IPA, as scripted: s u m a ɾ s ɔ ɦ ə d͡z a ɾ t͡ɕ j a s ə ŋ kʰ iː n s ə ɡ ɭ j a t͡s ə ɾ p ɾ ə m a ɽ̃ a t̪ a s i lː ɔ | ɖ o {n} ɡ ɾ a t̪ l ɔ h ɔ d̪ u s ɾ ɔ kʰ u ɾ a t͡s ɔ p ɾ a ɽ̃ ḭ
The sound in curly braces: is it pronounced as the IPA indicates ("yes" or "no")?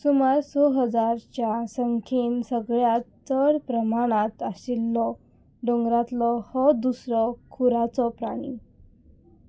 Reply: no